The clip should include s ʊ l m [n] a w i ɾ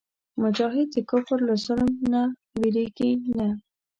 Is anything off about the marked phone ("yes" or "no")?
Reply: no